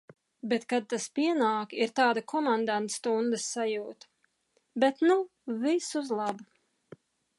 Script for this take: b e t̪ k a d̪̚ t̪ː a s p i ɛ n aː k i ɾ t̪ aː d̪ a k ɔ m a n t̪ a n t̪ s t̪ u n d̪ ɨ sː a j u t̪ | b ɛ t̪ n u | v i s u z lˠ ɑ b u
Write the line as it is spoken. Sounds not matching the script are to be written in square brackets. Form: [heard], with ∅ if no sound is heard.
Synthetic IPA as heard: b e t̪ k a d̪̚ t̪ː a s p i ɛ n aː k i ɾ t̪ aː d̪ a k ɔ m a n [d̪] a n t̪ s t̪ u n d̪ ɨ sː a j [uː] t̪ | b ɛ t̪ n u | v i s u z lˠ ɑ b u